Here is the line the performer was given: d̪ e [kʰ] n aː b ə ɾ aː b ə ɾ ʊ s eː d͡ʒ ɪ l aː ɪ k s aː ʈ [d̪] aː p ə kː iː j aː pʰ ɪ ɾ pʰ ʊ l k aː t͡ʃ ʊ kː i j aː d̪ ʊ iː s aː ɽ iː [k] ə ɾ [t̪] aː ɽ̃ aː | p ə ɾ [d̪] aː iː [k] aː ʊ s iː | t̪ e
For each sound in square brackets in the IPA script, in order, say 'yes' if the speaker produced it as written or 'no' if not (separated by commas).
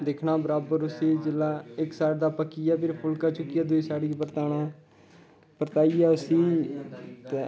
yes, yes, no, yes, no, no